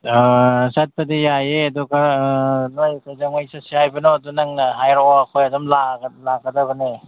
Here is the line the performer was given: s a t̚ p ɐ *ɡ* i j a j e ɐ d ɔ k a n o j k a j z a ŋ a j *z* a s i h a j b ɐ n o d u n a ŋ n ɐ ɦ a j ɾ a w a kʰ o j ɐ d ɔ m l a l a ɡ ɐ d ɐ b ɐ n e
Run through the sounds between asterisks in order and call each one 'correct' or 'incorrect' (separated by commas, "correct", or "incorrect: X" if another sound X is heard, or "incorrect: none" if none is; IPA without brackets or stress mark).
incorrect: d, incorrect: s